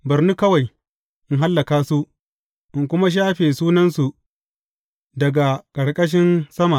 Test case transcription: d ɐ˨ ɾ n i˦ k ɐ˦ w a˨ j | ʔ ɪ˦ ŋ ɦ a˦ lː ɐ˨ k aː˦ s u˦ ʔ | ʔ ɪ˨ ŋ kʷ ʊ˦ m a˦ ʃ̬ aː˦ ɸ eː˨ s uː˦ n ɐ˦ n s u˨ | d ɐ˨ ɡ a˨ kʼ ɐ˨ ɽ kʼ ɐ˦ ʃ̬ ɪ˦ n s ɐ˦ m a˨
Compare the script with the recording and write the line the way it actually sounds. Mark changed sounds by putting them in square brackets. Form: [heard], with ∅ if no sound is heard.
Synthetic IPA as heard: [b] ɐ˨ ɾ n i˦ k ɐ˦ w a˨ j | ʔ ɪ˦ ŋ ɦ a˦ lː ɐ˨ k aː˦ s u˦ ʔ | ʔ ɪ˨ ŋ kʷ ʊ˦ m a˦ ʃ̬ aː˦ ɸ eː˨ s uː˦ n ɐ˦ n s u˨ | d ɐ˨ ɡ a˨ kʼ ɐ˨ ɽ kʼ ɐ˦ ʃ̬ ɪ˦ n s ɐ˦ m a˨